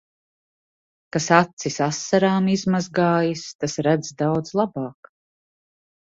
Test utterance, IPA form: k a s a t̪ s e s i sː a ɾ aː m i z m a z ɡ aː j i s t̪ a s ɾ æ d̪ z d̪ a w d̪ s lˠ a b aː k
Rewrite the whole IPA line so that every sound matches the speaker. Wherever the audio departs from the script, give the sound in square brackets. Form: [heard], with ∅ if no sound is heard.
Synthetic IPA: k a s a t̪ s [i] s [a] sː a ɾ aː m i z m a z ɡ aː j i s t̪ a s ɾ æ d̪ z d̪ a w d̪ [z] lˠ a b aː k